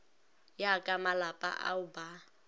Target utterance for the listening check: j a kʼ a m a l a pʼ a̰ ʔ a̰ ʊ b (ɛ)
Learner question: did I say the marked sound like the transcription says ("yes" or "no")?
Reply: no